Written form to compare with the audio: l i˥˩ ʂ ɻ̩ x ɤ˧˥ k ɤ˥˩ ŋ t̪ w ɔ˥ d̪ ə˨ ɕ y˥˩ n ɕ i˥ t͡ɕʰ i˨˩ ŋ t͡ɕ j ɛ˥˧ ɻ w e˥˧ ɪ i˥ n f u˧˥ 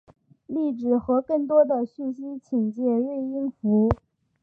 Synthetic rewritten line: l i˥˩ ʈ͡ʂ ɻ̩ x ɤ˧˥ k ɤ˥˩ ŋ t̪ w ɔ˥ d̪ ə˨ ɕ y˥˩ n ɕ i˥ t͡ɕʰ i˨˩ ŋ t͡ɕ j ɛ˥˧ ɻ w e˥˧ ɪ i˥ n f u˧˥